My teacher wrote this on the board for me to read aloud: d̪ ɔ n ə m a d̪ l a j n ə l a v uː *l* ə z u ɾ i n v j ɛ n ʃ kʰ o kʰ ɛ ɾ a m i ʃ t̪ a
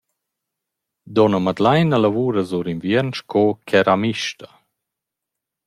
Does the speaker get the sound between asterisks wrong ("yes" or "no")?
yes